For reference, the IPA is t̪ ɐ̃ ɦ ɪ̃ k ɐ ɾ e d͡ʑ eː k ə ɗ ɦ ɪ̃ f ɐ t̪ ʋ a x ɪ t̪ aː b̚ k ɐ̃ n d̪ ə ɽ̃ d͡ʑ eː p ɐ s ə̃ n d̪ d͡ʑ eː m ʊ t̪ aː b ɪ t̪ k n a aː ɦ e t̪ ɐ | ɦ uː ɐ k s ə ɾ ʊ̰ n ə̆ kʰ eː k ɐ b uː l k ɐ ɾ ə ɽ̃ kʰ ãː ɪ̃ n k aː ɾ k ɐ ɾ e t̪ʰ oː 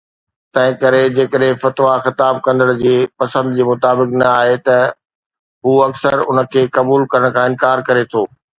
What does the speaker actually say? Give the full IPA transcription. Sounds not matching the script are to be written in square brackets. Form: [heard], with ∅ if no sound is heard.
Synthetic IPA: t̪ ɐ̃ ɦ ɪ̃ k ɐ ɾ e d͡ʑ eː k ə ɗ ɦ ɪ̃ f ɐ t̪ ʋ a x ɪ t̪ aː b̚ k ɐ̃ n d̪ ə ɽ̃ d͡ʑ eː p ɐ s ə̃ n d̪ d͡ʑ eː m ʊ t̪ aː b ɪ [∅] k n [ɐ] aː ɦ e t̪ ɐ | ɦ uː ɐ k s ə ɾ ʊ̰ n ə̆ kʰ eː k ɐ b uː l k ɐ ɾ ə ɽ̃ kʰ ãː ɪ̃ n k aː ɾ k ɐ ɾ e t̪ʰ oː